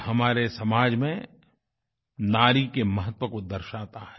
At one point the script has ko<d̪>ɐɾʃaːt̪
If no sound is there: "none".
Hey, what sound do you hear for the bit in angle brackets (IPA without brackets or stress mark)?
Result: d̪